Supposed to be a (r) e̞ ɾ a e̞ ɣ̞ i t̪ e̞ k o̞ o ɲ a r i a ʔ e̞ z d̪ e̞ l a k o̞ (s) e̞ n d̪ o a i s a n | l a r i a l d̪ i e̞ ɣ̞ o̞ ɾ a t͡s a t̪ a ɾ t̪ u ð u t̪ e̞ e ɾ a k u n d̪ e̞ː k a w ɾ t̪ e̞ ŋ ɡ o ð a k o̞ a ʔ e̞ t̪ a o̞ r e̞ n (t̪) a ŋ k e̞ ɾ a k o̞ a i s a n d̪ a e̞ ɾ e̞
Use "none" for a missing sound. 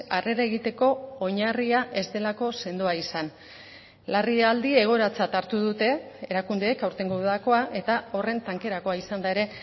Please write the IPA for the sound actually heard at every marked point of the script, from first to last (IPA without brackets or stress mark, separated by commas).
r, s, t̪